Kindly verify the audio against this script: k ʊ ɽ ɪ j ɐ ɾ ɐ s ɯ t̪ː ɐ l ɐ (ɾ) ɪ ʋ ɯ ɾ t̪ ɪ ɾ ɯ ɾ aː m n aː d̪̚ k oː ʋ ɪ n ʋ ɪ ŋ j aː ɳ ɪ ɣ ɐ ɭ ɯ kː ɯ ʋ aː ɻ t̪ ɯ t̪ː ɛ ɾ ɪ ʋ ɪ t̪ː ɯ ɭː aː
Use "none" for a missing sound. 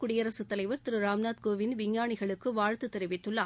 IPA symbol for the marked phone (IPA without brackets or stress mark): none